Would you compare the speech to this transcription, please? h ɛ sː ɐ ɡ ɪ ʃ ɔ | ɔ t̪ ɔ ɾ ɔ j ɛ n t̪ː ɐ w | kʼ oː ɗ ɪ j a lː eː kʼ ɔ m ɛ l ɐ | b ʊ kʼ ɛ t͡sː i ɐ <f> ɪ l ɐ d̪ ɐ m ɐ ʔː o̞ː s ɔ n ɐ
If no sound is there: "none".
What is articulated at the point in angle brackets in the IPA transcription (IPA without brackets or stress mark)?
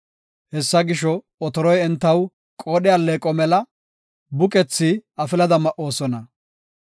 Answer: f